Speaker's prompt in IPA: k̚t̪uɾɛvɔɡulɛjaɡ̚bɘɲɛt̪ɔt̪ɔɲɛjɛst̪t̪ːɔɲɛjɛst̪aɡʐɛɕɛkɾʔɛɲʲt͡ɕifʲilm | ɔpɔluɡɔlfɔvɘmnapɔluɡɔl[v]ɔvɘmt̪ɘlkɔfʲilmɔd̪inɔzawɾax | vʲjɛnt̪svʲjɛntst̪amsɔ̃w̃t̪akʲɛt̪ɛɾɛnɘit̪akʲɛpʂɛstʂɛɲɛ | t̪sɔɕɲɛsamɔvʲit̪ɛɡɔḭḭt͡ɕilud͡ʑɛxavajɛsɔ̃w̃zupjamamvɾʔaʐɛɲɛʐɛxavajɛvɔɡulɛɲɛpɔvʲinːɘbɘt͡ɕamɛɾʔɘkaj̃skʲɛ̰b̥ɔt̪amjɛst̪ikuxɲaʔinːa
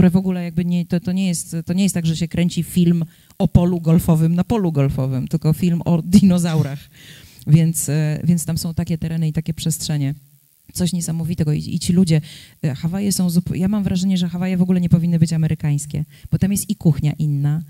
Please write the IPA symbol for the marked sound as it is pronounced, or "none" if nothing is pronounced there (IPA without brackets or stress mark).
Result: f